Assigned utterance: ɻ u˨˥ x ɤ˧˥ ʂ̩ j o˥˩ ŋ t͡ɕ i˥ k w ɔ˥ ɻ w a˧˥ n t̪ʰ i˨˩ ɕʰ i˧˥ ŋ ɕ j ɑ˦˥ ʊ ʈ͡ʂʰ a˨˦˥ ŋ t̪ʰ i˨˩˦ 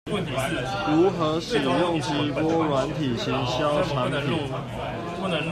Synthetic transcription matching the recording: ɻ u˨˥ x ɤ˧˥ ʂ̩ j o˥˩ ŋ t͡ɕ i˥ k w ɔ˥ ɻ w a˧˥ n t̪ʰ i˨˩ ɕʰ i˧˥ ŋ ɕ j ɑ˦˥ ʊ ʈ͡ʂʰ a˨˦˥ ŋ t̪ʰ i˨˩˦